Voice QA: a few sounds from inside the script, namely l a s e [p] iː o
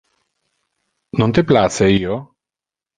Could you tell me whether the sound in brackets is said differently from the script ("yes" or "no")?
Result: yes